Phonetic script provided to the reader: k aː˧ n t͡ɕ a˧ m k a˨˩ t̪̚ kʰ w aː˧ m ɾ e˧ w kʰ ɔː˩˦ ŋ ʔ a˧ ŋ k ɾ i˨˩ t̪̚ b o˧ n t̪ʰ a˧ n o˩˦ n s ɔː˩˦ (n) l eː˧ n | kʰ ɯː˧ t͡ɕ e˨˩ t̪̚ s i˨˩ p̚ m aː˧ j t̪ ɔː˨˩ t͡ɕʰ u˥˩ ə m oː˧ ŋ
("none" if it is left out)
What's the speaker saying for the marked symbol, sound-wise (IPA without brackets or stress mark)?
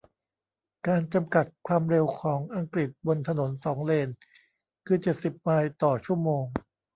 ŋ